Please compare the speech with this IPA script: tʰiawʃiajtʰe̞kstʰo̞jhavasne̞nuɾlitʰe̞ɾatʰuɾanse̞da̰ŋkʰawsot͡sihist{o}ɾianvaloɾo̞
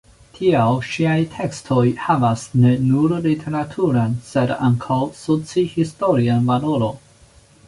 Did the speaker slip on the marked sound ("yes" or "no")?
no